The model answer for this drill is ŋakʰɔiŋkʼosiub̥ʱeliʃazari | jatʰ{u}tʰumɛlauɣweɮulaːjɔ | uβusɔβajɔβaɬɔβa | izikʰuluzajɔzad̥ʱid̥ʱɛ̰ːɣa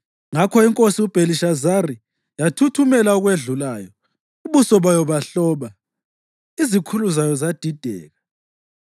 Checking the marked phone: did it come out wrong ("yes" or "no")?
no